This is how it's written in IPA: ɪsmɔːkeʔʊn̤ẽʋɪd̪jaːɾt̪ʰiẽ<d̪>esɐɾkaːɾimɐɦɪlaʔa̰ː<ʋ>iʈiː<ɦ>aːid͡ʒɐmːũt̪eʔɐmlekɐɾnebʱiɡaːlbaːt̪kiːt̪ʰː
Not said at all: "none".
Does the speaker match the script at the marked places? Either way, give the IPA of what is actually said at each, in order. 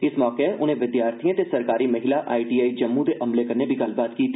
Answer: t̪, none, none

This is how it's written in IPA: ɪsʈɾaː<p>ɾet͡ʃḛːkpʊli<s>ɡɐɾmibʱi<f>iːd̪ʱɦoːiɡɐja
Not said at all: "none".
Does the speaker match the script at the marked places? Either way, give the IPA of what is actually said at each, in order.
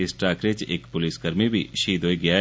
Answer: k, s, ʃ

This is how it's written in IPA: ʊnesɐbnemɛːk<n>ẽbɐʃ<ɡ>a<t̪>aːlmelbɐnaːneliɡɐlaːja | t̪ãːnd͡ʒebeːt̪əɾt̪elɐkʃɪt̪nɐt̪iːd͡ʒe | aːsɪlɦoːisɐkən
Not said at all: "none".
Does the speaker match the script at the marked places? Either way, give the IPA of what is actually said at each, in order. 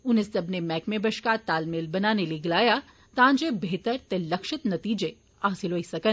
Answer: m, k, t̪

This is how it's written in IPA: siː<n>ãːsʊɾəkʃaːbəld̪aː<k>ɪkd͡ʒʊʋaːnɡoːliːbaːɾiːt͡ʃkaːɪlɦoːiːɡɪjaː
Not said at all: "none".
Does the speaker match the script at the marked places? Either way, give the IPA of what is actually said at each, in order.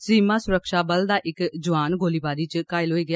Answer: m, ʔ

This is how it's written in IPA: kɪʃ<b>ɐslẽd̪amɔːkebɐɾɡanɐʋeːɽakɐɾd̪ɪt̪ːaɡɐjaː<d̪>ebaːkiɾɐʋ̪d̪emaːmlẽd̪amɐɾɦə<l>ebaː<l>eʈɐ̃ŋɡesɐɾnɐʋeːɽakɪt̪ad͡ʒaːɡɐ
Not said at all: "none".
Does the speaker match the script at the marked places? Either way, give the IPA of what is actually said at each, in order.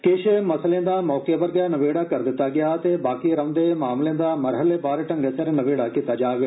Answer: m, t̪, l, ɾ

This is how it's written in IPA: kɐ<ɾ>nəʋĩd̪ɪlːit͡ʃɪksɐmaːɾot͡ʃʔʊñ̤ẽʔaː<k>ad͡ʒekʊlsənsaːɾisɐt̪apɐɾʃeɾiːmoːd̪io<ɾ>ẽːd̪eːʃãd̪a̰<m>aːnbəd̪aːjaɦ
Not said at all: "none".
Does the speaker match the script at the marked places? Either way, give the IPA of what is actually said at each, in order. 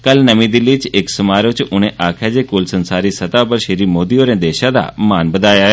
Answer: l, kʰ, ɾ, m

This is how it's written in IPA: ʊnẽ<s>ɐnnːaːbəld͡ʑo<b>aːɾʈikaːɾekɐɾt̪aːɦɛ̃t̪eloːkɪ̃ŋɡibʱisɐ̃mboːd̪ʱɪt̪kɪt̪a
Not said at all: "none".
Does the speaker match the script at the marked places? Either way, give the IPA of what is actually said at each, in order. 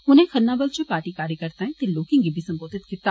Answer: x, p

